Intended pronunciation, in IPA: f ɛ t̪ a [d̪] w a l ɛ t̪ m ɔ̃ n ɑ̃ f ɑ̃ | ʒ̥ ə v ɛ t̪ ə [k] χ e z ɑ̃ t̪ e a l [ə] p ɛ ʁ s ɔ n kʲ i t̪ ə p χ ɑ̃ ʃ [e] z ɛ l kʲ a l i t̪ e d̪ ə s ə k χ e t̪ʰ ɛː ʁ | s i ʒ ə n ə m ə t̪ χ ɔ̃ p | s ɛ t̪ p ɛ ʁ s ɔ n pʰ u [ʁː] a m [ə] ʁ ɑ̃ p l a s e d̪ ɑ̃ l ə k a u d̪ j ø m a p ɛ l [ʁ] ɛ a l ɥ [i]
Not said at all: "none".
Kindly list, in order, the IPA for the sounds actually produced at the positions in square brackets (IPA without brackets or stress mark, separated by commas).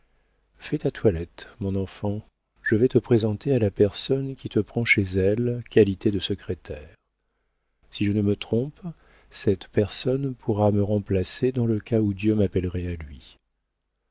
t̪, p, a, e, ʁ, ə, ʁ, i